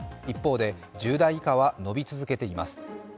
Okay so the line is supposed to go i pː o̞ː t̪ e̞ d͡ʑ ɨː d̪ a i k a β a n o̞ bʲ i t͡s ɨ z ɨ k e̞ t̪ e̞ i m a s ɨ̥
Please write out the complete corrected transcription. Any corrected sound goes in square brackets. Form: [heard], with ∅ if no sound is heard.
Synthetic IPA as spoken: i pː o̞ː [d̪] e̞ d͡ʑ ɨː d̪ a i k a β a n o̞ bʲ i t͡s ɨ z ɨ k e̞ t̪ e̞ i m a s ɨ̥